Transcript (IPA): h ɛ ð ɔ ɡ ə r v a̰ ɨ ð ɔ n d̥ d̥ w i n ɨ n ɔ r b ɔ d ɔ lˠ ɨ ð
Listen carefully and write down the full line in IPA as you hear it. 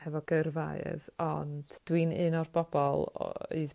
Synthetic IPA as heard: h ɛ v ɔ ɡ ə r v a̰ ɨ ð ɔ n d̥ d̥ w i n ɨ n ɔ r b ɔ b ɔ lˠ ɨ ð